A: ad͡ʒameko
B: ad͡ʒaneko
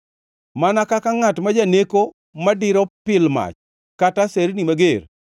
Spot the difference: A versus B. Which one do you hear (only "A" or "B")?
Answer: B